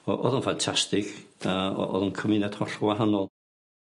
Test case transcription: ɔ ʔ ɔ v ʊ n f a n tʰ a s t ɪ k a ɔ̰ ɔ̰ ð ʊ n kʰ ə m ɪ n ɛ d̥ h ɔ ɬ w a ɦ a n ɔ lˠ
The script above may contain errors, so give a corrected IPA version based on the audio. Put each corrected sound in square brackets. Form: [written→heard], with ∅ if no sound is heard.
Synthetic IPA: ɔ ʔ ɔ [v→ð] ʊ n f a n tʰ a s t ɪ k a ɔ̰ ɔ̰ ð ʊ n kʰ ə m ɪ n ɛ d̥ h ɔ ɬ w a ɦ a n ɔ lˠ